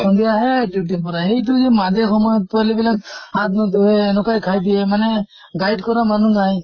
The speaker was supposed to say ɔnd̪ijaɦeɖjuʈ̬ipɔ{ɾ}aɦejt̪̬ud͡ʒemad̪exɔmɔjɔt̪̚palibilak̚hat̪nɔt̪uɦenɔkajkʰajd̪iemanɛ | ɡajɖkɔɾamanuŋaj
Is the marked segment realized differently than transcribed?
no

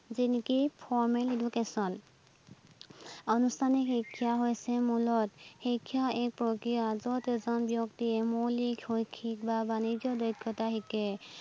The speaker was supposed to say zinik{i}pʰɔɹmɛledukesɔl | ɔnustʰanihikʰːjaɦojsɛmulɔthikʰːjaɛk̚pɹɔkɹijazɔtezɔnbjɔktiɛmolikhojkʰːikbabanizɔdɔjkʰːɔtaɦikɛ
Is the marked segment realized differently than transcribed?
no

